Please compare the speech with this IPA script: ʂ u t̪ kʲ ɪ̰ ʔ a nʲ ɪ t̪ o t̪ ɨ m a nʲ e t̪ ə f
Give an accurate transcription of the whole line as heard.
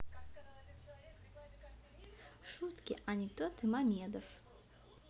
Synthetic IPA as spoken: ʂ u t̪ kʲ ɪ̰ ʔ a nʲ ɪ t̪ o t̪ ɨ m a mʲ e d̪ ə f